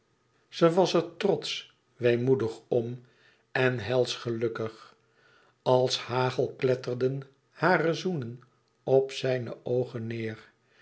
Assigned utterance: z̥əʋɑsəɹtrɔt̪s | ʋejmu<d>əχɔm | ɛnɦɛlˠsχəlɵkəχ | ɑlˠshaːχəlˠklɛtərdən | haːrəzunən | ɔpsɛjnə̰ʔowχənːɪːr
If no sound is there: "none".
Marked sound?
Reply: d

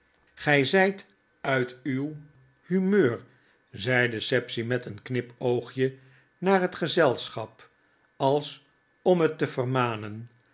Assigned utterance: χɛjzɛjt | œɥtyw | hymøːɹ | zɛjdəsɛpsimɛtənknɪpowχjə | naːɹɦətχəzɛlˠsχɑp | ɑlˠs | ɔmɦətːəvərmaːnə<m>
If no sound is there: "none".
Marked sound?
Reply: n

